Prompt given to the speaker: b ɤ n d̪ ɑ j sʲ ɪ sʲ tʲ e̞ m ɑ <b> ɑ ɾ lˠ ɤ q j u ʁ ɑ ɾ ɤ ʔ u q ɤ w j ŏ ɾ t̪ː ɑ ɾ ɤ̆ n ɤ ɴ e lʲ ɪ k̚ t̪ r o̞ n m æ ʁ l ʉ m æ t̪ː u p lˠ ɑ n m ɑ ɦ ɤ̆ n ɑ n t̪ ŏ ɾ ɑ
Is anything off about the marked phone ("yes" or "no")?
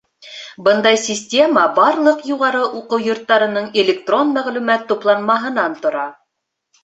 no